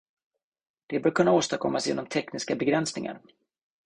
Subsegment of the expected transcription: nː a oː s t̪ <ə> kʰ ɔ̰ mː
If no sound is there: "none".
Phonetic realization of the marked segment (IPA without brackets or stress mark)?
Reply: a